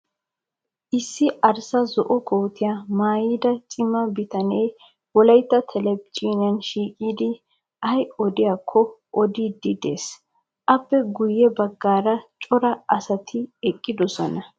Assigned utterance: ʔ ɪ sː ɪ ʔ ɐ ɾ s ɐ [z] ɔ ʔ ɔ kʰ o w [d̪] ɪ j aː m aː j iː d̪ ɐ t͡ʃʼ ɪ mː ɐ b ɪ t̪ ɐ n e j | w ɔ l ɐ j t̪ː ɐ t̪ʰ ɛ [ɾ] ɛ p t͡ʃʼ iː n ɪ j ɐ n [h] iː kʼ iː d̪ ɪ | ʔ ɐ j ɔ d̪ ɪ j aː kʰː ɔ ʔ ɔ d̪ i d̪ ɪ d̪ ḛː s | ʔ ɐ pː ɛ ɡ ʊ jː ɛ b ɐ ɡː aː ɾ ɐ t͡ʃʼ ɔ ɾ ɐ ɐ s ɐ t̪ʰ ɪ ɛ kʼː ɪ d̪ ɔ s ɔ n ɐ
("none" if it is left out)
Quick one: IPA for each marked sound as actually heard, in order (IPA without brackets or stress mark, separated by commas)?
z, t̪, l, ʃ